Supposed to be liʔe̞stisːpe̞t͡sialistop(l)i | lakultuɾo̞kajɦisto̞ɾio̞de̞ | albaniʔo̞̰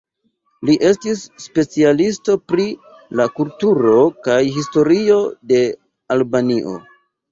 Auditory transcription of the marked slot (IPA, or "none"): ɾ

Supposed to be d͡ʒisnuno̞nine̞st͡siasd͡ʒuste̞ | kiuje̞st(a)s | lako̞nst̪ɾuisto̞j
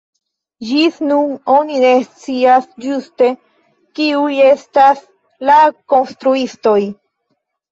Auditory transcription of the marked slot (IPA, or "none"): a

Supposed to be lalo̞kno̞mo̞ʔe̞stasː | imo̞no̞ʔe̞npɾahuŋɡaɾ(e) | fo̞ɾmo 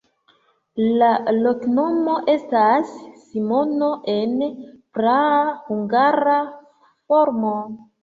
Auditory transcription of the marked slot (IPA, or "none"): a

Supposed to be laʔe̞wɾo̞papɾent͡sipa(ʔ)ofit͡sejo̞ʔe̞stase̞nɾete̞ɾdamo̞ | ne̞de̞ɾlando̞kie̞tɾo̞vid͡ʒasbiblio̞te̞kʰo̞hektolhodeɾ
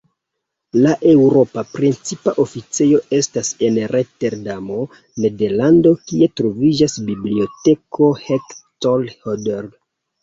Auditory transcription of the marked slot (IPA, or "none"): ʔ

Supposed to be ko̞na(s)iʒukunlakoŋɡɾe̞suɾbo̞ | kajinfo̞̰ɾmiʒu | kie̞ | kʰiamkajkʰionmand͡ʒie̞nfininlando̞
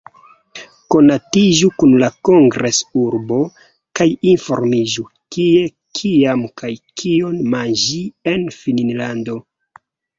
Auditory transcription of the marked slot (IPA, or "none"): t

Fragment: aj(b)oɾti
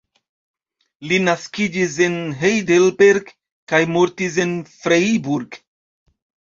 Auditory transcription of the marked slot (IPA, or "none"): m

